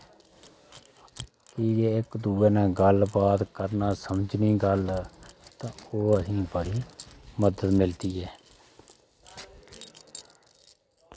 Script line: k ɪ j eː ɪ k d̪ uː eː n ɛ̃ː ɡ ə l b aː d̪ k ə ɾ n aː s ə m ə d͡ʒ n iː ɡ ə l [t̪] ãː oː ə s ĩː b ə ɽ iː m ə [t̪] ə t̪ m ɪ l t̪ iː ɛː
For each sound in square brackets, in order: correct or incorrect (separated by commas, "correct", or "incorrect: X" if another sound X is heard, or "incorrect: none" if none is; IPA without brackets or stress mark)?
correct, incorrect: d̪